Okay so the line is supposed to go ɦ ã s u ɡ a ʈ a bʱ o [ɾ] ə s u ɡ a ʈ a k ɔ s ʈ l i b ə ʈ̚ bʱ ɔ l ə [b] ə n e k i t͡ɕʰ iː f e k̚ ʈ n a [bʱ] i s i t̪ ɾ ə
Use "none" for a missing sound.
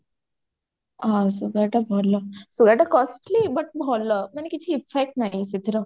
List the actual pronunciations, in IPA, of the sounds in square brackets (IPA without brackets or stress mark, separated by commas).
l, m, none